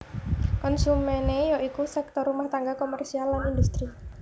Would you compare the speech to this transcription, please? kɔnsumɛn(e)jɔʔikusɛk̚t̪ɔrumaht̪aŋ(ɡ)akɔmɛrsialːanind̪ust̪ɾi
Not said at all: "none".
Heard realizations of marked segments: e, ɡ

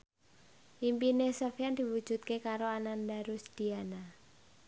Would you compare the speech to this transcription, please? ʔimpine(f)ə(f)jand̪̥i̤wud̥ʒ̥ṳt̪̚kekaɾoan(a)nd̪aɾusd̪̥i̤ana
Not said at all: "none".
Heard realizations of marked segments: s, f, a

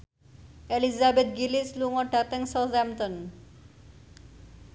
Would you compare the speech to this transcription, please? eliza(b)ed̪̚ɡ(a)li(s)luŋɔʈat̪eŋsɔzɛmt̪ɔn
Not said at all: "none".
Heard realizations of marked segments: b, i, s

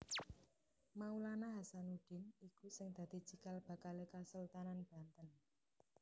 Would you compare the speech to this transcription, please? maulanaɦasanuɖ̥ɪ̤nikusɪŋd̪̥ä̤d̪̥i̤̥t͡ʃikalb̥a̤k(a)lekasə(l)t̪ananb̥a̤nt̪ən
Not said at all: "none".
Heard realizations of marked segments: a, l

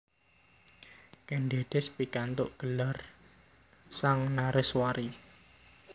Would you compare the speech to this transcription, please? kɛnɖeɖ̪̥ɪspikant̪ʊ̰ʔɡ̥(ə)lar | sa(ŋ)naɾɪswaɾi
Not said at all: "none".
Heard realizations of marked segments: ə, ŋ

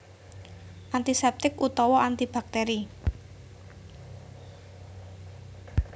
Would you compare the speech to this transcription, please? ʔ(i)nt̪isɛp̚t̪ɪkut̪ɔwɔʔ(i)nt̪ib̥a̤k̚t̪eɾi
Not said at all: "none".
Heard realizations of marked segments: a, a

